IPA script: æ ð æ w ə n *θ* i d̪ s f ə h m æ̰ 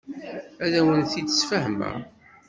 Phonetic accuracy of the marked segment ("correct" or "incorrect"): correct